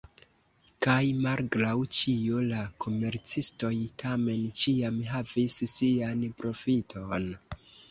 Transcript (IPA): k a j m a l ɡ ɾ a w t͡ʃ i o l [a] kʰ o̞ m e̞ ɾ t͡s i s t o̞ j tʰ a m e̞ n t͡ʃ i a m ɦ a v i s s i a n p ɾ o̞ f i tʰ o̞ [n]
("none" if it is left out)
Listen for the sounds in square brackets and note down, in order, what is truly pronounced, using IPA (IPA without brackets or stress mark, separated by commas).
a, n